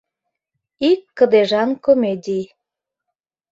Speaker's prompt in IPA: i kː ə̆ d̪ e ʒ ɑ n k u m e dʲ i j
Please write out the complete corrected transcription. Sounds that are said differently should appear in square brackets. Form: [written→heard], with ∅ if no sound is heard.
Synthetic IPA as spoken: i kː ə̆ d̪ e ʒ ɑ n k [u→o] m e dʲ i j